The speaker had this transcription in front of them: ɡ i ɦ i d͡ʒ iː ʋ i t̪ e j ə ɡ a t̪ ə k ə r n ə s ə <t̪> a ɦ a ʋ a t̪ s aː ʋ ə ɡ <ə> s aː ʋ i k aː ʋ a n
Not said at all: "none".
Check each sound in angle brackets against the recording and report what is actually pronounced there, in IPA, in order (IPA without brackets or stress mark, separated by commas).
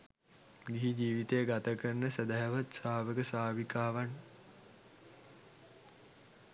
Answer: d̪, ə